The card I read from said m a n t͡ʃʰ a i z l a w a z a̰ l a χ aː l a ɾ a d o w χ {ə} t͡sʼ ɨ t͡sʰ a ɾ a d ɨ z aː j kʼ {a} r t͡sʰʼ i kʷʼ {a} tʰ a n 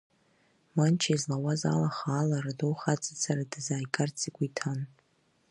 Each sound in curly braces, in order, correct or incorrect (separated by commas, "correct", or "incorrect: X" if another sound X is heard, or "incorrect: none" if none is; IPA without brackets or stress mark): incorrect: a, correct, incorrect: i